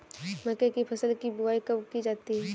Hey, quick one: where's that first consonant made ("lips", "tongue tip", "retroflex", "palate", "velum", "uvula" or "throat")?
lips